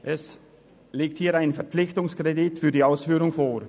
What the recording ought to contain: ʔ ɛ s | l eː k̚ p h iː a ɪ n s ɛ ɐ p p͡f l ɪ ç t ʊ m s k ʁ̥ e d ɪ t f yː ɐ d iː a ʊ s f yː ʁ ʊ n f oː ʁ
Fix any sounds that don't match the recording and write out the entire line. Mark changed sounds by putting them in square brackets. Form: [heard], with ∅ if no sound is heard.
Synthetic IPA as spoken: ʔ ɛ s | l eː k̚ [t] h iː a ɪ n [f] ɛ ɐ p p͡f l ɪ ç t ʊ [ŋ] s k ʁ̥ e d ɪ t f yː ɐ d iː a ʊ s f yː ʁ ʊ [ŋ] f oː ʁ